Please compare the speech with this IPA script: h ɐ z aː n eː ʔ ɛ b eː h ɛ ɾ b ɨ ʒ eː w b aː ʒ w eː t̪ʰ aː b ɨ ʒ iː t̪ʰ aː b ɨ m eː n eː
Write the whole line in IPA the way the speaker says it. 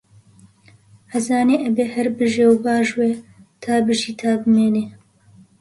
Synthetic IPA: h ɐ z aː n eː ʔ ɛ b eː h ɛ ɾ b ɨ ʒ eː w b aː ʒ w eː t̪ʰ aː b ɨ ʒ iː t̪ʰ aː b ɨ m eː n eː

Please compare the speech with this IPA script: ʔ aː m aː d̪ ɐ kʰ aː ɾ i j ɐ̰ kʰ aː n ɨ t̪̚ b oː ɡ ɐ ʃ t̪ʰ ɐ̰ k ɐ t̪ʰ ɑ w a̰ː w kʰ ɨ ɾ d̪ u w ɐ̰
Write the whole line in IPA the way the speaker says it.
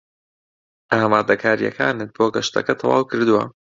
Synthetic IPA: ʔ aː m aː d̪ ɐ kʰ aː ɾ i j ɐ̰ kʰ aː n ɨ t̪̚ b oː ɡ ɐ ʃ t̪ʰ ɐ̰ k ɐ t̪ʰ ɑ w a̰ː w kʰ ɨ ɾ d̪ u w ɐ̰

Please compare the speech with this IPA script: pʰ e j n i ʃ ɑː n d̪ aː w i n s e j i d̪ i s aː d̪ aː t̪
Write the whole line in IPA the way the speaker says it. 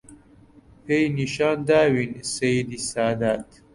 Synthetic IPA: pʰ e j n i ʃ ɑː n d̪ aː w i n s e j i d̪ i s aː d̪ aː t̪

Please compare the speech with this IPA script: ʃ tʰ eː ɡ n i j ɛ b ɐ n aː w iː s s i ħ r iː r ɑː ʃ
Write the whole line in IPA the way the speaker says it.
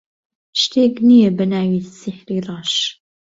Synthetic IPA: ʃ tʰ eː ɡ n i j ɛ b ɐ n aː w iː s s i ħ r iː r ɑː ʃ

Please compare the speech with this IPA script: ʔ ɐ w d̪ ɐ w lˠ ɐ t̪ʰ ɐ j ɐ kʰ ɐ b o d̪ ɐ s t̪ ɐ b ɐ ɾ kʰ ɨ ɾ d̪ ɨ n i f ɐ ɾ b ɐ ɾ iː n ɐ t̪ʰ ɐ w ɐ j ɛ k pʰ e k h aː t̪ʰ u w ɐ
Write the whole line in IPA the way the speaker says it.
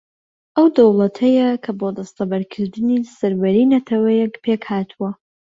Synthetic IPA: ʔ ɐ w d̪ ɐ w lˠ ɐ t̪ʰ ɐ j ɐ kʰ ɐ b o d̪ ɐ s t̪ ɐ b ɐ ɾ kʰ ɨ ɾ d̪ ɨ n i s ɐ ɾ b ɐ ɾ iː n ɐ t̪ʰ ɐ w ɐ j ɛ k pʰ e k h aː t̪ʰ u w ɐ

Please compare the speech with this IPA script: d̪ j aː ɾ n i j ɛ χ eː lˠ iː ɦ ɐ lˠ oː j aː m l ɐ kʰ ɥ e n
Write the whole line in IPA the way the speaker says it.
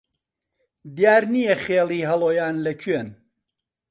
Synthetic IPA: d̪ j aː ɾ n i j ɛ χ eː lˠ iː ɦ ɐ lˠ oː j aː n l ɐ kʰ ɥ e n

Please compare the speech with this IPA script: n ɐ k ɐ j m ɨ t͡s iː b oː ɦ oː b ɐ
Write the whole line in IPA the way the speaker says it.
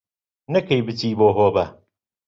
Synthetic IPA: n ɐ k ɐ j b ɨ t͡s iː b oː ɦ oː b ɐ

